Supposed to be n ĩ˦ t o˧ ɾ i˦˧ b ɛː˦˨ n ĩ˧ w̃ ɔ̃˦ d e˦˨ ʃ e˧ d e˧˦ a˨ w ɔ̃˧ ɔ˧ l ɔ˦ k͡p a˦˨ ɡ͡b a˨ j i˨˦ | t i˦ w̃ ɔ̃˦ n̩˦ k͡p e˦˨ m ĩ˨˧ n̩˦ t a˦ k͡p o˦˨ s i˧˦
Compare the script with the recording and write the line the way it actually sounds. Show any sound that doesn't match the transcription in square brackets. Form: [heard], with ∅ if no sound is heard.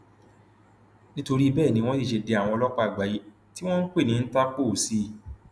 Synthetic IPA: n ĩ˦ t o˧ ɾ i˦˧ b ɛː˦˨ n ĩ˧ w̃ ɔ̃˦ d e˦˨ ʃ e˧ d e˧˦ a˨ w ɔ̃˧ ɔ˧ l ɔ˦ k͡p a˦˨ ɡ͡b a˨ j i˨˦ | t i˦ w̃ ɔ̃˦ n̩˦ k͡p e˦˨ [n] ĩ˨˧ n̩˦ t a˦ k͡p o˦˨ s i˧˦